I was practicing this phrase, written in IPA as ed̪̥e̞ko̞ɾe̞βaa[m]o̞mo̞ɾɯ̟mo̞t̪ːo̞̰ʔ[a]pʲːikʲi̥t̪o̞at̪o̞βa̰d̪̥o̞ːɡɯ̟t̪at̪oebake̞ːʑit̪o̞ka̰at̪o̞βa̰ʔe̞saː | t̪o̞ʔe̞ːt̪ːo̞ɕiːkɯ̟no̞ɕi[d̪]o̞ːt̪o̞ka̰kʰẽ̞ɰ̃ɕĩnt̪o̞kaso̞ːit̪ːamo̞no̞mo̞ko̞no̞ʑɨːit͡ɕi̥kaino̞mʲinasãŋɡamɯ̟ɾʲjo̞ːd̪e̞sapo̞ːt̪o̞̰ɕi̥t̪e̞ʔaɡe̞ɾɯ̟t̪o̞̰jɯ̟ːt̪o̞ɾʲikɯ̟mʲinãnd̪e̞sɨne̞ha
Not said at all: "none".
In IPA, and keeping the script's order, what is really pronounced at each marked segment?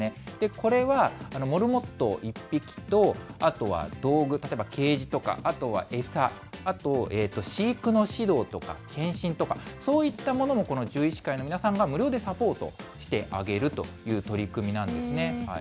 n, i, d̪

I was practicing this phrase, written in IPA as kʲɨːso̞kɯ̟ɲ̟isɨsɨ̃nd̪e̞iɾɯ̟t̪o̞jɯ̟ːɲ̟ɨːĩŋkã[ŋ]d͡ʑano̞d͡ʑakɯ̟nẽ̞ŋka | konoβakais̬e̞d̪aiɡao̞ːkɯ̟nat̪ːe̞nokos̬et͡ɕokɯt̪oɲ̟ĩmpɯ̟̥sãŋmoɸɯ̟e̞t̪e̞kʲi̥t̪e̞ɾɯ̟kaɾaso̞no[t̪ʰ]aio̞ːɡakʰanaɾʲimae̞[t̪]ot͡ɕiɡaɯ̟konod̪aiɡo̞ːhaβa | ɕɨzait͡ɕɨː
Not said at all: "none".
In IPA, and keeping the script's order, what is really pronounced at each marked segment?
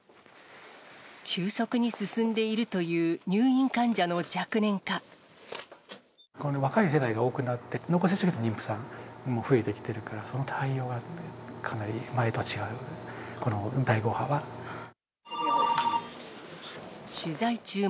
ɲ, t̪ʰ, t̪

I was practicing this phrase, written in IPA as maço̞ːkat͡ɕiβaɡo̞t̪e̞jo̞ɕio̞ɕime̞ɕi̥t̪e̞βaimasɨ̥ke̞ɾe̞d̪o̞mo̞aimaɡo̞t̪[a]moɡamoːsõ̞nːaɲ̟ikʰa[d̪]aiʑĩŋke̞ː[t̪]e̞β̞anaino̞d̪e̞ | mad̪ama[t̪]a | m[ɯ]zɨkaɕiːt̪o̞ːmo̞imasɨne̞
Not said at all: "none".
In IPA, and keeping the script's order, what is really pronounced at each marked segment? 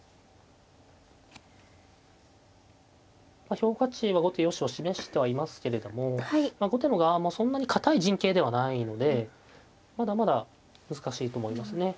e, t̪, d̪, d̪, ɯ

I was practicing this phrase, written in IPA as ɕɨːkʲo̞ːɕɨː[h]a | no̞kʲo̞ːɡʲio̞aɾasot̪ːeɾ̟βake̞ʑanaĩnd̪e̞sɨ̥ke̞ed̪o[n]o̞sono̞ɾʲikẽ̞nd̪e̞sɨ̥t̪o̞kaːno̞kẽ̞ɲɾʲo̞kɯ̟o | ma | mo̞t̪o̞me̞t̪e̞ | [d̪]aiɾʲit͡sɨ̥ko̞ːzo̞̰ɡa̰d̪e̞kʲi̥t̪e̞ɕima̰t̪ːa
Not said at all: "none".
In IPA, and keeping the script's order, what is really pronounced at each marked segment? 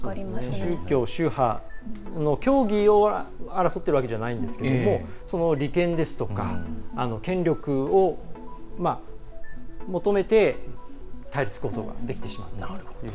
h, m, t̪

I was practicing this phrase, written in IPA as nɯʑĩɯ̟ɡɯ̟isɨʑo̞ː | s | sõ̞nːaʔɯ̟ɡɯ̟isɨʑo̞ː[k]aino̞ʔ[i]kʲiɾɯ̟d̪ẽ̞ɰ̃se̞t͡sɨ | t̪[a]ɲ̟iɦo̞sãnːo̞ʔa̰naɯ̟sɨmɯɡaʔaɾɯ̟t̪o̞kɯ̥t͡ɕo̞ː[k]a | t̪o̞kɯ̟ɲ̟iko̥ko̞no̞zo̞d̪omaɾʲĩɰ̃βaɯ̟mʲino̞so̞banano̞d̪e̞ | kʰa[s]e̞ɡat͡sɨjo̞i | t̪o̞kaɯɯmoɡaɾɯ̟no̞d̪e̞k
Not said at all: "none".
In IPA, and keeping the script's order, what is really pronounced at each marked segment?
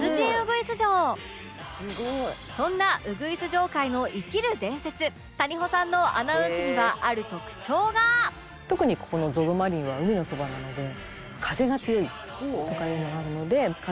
k, i, a, ɡ, z

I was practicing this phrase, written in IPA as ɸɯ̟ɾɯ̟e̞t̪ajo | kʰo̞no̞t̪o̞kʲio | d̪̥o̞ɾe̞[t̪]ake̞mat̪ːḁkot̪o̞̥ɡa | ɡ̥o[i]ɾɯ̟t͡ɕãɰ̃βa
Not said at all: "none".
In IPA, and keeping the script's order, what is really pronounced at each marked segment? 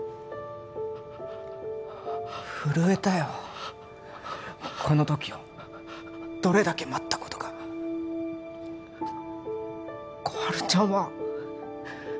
d̪, a

